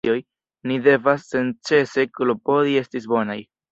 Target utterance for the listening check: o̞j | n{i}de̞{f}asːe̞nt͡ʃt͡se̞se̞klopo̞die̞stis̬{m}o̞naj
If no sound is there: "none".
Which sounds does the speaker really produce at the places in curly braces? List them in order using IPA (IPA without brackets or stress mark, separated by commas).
i, v, b